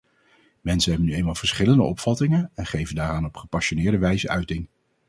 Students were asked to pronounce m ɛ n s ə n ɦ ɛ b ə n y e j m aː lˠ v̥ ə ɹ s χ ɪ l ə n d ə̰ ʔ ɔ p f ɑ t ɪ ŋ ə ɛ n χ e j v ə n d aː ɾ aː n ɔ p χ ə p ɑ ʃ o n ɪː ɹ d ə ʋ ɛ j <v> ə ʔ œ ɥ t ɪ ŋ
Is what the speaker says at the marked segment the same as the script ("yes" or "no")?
no